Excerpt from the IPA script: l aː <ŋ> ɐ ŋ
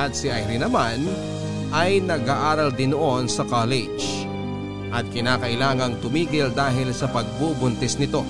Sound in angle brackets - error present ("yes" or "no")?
no